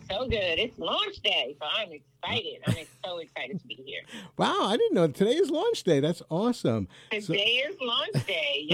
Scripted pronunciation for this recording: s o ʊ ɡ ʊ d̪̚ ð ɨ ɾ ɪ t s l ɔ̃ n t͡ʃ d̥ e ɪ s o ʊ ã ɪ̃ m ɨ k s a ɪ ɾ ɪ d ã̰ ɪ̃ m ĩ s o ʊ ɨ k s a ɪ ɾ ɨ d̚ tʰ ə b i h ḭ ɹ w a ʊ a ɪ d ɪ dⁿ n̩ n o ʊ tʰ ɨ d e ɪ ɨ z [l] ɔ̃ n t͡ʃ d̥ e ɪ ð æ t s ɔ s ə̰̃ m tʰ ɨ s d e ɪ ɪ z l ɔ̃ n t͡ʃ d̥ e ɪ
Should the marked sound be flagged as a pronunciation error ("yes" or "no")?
no